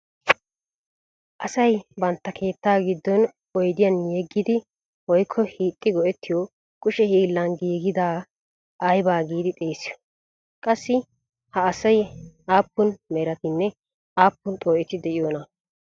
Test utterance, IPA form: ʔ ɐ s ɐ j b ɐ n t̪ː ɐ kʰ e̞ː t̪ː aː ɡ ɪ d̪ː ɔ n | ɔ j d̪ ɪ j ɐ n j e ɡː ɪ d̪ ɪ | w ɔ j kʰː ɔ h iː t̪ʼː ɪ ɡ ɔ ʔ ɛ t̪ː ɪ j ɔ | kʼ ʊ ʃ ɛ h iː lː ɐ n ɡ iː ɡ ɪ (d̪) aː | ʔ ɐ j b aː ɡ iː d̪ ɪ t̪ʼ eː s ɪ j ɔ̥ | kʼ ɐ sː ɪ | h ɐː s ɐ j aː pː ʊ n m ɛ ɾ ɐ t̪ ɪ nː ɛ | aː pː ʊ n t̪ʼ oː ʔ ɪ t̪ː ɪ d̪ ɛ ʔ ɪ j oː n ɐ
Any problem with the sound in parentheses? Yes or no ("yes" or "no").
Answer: no